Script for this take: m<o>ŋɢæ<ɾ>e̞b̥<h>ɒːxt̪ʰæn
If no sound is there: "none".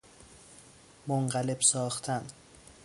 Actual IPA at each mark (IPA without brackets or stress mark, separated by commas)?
o, l, s